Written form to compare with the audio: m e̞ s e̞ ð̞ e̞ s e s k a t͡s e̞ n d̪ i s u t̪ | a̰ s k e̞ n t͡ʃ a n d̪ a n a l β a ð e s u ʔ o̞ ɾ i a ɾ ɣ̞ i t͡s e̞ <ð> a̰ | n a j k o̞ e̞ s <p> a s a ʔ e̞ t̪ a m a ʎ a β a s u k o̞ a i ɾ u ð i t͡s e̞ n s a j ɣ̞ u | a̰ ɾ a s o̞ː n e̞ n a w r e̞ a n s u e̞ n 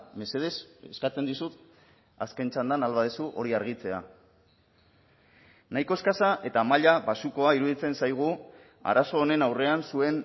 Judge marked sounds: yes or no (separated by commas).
no, no